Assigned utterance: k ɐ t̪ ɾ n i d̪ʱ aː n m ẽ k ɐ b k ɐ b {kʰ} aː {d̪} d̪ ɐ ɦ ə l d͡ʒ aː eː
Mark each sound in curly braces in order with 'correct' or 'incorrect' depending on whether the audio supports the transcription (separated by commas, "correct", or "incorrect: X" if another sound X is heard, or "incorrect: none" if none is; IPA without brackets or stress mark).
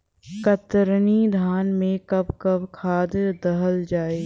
correct, correct